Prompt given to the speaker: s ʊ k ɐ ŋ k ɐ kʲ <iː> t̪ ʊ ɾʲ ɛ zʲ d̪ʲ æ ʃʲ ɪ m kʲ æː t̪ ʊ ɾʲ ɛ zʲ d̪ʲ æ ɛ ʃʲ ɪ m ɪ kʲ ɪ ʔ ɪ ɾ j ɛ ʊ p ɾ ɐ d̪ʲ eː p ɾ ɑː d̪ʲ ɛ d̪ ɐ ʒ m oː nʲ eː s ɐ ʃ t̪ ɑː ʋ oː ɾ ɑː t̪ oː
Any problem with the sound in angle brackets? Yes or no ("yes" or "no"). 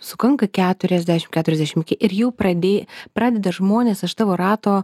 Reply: yes